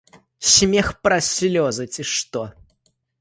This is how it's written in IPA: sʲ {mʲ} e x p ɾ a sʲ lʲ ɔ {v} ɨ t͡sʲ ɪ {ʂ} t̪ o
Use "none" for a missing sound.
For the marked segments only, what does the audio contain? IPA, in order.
mʲ, z, ʂ

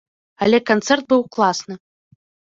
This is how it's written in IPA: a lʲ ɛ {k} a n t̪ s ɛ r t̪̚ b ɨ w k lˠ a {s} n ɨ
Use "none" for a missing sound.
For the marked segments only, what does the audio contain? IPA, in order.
k, s

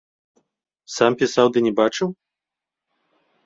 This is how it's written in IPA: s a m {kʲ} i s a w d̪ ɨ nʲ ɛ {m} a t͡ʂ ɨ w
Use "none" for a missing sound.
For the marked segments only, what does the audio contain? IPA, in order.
pʲ, b

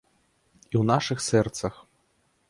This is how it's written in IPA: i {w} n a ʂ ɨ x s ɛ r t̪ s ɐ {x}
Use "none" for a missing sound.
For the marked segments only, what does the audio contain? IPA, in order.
w, x

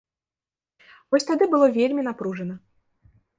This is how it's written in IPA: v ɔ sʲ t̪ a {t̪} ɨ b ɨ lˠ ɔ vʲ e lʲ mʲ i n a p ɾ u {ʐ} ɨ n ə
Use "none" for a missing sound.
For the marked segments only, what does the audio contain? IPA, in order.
d̪, ʐ

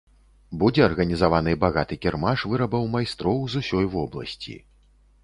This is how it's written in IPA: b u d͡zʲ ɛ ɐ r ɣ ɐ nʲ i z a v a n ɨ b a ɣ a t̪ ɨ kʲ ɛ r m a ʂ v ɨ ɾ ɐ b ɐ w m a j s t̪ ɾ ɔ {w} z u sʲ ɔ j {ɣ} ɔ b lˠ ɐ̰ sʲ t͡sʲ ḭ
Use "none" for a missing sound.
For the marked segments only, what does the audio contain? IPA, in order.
w, v

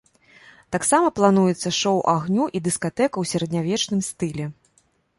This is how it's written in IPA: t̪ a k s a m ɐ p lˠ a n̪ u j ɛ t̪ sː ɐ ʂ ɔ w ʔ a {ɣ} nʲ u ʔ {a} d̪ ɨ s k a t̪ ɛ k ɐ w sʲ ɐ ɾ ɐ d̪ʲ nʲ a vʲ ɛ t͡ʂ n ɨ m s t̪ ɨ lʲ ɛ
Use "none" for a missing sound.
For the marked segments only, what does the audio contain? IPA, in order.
ɣ, i

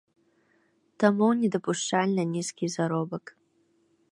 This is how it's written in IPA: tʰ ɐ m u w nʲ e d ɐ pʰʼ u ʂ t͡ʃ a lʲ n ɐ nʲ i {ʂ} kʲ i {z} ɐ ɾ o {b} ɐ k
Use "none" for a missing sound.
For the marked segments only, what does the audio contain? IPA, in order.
s, z, b

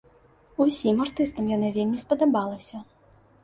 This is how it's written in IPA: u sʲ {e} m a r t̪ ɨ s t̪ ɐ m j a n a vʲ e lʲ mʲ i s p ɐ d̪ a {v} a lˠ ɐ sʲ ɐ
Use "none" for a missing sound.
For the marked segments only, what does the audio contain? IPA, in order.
i, b

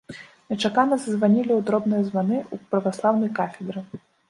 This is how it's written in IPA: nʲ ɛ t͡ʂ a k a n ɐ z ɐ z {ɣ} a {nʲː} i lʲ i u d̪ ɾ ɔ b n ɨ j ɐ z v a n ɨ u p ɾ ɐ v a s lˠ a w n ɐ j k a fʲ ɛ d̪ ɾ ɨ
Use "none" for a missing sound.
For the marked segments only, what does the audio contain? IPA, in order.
v, nʲ

